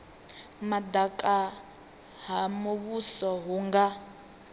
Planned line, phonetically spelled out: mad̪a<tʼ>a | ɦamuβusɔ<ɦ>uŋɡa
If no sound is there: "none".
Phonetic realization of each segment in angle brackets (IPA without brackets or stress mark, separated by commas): kʼ, ɦ